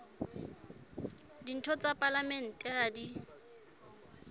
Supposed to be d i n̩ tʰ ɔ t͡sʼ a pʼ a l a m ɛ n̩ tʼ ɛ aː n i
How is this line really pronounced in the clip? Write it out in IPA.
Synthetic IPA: d i n̩ tʰ ɔ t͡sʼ a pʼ a l a m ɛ n̩ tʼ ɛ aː d i